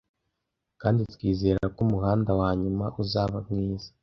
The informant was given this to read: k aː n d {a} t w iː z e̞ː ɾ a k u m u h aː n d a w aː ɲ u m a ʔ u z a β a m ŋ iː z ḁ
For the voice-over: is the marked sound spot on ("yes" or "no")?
no